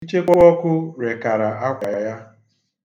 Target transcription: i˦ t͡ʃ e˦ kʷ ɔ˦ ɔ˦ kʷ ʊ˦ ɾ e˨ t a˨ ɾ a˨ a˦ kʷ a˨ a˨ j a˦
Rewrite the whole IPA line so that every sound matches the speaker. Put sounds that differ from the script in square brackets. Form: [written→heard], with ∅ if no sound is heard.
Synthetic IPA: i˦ t͡ʃ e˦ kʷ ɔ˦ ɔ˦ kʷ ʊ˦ ɾ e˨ [t→k] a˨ ɾ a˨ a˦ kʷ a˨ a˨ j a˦